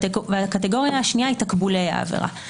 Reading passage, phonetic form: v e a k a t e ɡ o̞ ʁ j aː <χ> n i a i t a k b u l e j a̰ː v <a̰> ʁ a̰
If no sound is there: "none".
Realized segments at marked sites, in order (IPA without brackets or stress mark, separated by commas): ʃ, ḛ